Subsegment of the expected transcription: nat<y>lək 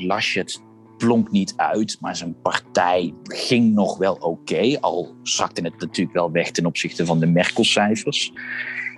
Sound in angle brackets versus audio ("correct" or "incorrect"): incorrect